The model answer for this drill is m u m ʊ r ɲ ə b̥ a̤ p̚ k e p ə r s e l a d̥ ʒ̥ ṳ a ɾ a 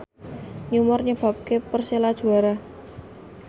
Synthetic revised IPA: ɲ u m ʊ r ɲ ə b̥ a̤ p̚ k e p ə r s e l a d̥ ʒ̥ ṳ a ɾ a